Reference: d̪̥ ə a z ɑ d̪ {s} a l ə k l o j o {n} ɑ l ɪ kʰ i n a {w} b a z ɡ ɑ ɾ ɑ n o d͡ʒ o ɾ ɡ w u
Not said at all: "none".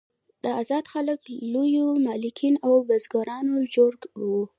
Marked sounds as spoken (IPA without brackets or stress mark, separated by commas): x, m, w